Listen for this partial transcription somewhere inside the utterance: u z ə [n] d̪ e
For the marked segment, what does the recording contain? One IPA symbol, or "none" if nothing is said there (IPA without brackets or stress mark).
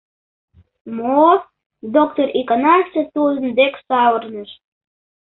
n